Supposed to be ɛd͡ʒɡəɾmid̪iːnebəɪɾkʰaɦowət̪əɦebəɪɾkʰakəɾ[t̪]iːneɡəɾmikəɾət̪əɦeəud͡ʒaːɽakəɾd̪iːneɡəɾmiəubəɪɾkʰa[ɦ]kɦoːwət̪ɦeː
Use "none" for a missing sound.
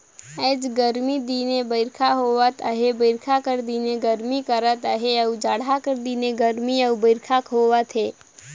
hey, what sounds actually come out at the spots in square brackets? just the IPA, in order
d̪, none

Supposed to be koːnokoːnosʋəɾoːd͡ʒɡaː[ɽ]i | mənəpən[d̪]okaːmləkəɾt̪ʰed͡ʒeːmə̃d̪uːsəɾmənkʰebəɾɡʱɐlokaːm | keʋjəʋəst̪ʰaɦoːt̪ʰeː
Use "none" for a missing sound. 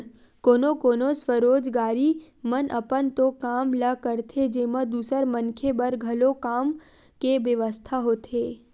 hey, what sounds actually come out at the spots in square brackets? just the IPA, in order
ɾ, t̪

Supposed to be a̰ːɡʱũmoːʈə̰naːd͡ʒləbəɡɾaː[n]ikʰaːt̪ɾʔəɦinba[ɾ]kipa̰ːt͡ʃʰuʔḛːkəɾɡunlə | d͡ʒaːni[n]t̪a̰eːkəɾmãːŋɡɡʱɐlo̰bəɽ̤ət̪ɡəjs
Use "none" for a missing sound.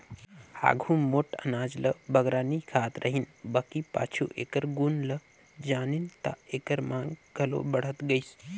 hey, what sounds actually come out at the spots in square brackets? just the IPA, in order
n, none, n

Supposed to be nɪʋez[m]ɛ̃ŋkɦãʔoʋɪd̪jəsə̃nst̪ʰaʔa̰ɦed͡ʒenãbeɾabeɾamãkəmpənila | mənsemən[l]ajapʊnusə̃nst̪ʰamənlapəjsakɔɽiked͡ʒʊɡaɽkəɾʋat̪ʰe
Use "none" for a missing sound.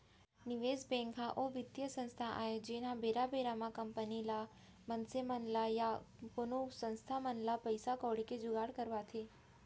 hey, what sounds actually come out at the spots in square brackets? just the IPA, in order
b, l

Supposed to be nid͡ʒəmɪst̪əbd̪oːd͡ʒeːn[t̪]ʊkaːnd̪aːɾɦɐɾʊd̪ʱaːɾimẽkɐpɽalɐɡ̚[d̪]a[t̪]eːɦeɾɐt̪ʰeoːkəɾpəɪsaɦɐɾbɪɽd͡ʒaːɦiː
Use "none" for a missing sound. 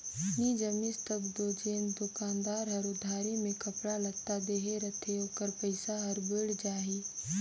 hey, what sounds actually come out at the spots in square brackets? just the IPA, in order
d̪, t̪, d̪

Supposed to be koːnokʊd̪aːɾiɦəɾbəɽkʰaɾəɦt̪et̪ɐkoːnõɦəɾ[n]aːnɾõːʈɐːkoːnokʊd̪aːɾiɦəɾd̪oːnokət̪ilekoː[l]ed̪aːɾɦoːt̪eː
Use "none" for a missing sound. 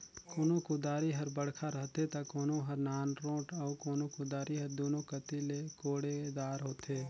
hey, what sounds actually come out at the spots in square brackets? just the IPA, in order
n, ɽ

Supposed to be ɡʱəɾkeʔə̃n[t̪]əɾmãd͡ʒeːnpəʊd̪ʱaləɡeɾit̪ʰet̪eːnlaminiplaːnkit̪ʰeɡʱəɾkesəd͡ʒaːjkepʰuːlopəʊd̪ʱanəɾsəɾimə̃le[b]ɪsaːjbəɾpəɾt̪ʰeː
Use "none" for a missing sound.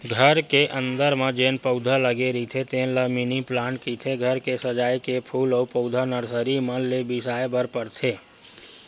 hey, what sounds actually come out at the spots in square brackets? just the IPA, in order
d̪, b

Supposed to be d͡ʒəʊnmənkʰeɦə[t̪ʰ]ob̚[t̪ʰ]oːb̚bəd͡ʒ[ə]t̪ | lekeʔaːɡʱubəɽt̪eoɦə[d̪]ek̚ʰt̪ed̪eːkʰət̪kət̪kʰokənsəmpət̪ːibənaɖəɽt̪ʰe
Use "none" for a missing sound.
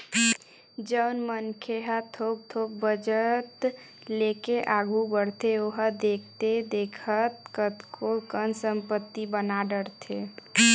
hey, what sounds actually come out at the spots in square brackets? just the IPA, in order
t̪ʰ, t̪ʰ, ə, d̪

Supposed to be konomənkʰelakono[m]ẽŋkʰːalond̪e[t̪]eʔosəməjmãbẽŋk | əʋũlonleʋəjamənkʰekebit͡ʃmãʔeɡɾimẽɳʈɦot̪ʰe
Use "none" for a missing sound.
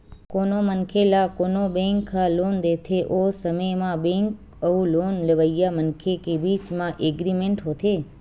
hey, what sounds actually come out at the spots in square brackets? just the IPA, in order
b, t̪ʰ

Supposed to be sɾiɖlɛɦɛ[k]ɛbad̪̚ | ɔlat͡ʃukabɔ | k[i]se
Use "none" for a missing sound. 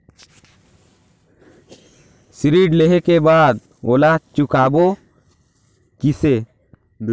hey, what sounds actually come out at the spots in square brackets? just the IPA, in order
k, i

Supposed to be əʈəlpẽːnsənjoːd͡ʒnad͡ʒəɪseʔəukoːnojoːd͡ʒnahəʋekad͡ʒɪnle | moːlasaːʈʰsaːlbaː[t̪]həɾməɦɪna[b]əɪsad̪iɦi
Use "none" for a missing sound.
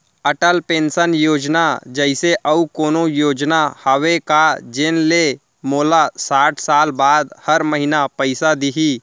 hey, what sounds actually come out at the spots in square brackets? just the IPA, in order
d̪, p

